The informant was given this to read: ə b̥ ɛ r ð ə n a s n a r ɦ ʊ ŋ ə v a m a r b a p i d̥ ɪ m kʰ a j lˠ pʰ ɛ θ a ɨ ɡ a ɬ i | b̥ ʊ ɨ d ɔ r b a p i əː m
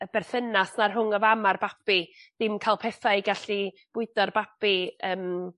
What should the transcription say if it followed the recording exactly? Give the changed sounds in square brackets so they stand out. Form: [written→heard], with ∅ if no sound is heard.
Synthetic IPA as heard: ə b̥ ɛ r [ð→θ] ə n a s n a r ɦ ʊ ŋ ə v a m a r b a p i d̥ ɪ m kʰ a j lˠ pʰ ɛ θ a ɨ ɡ a ɬ i | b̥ ʊ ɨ d ɔ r b a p i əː m